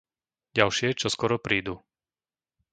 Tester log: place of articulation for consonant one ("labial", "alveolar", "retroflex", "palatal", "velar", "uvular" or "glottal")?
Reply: palatal